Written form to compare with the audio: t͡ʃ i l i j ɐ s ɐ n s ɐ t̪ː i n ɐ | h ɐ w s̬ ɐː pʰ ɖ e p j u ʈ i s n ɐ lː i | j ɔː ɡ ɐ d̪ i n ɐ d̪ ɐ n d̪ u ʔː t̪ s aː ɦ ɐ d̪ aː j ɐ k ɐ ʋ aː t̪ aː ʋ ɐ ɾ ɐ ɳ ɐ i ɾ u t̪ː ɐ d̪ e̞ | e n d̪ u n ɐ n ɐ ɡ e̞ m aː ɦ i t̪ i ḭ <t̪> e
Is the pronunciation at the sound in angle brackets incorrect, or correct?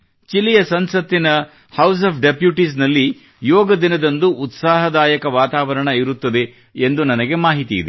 incorrect